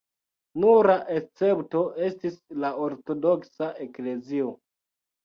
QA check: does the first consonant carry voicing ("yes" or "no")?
yes